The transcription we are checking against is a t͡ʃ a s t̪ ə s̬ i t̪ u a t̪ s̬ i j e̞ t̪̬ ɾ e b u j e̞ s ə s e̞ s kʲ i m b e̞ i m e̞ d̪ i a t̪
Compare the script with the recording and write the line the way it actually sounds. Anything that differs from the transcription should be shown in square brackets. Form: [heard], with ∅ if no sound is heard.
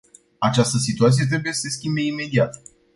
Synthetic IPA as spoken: a t͡ʃ a s t̪ ə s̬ i t̪ u a t̪ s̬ i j e̞ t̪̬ ɾ e b u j e̞ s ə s e̞ s kʲ i m b e̞ i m e̞ d̪ i a t̪